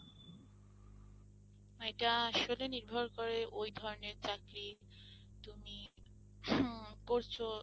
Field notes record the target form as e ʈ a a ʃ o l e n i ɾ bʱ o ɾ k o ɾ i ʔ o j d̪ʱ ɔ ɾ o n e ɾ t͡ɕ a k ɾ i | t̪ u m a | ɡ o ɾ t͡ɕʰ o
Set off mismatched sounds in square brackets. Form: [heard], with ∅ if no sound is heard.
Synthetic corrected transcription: e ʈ a a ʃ o l e n i ɾ bʱ o ɾ k o ɾ [e] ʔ o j d̪ʱ ɔ ɾ o n e ɾ t͡ɕ a k ɾ i | t̪ u m [i] | [k] o ɾ t͡ɕʰ o